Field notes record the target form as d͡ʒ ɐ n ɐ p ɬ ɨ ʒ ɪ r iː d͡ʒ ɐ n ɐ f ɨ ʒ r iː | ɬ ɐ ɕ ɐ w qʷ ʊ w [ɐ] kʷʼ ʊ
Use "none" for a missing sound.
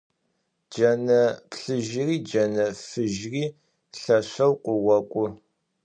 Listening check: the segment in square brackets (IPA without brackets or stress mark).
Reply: ɐ